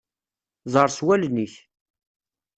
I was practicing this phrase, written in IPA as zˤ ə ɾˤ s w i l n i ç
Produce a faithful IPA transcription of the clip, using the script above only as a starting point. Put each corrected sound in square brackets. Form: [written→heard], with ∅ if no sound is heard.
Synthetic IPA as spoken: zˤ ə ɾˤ s w [i→æ] l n i ç